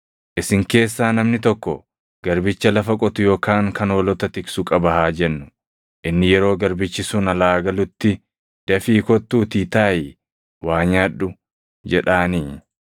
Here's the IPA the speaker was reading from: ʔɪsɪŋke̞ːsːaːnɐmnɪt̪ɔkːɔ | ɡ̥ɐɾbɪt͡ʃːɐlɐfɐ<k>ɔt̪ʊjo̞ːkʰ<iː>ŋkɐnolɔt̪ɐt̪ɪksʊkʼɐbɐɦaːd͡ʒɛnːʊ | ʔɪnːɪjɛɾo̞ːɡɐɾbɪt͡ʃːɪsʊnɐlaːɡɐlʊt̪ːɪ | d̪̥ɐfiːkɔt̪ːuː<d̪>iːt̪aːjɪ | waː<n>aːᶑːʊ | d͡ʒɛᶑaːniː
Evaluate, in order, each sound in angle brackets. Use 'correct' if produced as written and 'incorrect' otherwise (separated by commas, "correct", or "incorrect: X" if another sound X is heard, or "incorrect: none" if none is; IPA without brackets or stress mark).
incorrect: kʼ, incorrect: aː, incorrect: t̪, incorrect: ɲ